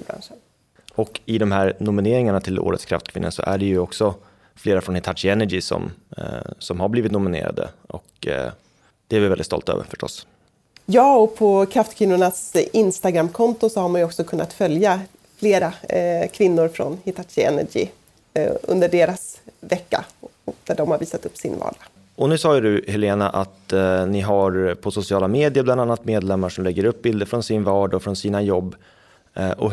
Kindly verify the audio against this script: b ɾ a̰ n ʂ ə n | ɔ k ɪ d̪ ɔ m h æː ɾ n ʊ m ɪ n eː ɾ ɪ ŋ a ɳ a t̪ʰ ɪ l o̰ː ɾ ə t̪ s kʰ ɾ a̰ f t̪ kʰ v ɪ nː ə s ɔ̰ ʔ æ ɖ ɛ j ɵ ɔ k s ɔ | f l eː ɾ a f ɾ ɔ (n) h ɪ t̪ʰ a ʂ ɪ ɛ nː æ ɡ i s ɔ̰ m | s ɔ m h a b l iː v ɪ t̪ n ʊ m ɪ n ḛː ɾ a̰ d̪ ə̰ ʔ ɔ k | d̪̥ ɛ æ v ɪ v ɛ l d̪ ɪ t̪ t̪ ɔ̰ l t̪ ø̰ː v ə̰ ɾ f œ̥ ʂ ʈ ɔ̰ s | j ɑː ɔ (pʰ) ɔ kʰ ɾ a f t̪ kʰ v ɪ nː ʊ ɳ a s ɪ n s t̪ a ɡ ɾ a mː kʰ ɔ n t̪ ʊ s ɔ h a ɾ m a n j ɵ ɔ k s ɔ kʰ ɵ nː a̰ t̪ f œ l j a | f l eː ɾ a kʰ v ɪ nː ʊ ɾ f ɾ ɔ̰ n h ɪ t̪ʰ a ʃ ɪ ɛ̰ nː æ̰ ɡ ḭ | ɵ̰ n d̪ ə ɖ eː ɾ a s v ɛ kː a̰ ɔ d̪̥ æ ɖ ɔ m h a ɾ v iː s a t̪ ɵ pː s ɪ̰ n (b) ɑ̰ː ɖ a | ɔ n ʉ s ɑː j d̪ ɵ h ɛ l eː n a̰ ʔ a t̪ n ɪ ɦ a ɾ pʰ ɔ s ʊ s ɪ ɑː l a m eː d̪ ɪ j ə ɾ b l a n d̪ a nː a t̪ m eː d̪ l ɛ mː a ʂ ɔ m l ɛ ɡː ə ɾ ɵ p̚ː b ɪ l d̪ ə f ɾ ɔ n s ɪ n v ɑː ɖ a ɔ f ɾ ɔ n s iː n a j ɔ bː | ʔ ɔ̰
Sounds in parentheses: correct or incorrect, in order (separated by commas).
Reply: correct, correct, incorrect